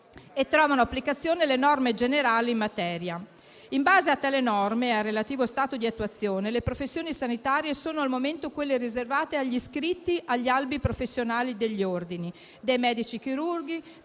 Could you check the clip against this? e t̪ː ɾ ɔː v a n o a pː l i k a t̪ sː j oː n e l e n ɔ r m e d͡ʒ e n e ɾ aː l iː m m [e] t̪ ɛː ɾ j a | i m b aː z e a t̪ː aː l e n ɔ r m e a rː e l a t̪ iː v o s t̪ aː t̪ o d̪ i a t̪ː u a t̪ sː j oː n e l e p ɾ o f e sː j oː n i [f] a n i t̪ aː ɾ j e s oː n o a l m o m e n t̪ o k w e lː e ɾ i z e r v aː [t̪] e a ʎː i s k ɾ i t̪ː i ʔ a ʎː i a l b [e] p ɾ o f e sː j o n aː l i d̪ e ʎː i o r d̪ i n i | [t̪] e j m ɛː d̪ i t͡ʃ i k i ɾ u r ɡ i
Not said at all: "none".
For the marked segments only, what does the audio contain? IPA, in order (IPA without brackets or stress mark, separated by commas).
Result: a, s, t̪, i, d̪